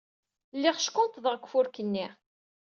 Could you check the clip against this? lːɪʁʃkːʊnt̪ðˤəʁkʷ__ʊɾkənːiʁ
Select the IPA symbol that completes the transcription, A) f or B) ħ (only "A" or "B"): A